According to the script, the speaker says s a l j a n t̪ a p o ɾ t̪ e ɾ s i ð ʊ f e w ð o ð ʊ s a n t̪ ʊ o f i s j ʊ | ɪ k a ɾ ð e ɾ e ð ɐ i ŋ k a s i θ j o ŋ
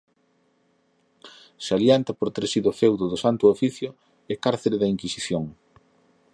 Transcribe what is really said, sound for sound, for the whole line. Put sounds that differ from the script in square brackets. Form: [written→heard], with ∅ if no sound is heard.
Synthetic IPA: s a l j a n t̪ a p o ɾ t̪ e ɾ s i ð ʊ f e w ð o ð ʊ s a n t̪ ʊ o f i [s→θ] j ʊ | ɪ k a ɾ [ð→θ] e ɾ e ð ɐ i ŋ k [a→i] s i θ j o ŋ